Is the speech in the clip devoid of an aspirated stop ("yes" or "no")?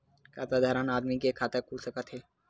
no